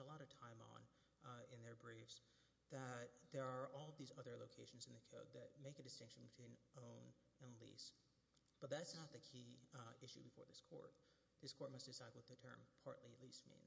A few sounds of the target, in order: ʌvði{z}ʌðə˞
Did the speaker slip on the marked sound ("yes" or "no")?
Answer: no